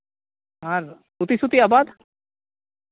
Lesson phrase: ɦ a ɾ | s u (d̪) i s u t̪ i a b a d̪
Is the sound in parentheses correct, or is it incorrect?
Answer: incorrect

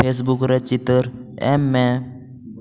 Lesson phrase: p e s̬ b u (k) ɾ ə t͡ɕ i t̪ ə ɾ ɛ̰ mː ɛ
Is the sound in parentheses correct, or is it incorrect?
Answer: correct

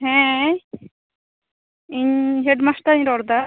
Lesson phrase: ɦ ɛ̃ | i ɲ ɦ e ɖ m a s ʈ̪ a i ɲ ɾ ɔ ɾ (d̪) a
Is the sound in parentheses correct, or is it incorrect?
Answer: correct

